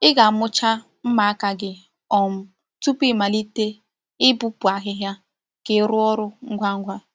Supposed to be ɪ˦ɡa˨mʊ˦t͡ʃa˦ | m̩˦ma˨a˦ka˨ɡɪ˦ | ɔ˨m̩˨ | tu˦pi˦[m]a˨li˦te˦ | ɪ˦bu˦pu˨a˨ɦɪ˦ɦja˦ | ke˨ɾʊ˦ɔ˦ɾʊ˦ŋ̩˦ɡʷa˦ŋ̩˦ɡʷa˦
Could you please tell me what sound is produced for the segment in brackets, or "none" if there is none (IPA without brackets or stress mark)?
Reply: m